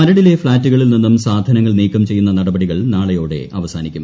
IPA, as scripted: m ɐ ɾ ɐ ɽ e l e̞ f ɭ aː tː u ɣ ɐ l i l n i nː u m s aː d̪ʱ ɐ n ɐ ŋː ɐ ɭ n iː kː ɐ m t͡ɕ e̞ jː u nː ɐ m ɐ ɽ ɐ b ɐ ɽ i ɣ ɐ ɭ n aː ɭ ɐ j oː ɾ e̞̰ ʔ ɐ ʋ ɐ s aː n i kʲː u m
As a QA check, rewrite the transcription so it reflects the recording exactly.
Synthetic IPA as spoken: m ɐ ɾ ɐ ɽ i l e̞ f ɭ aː tː u ɣ ɐ ɭ i l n i nː u m s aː d̪ʱ ɐ n ɐ ŋː ɐ ɭ n iː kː ɐ m t͡ɕ e̞ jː u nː ɐ n ɐ ɽ ɐ b ɐ ɽ i ɣ ɐ ɭ n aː ɭ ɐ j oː ɽ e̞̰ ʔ ɐ ʋ ɐ s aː n i kʲː u m